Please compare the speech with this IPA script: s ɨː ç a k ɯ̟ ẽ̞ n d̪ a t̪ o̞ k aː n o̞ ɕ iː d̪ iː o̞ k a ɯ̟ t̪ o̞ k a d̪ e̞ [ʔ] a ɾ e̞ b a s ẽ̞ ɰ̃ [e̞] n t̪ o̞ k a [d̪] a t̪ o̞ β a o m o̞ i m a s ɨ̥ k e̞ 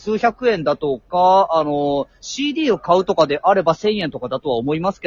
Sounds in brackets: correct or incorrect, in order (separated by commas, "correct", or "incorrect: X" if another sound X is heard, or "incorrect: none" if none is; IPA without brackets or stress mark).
correct, incorrect: ẽ̞, correct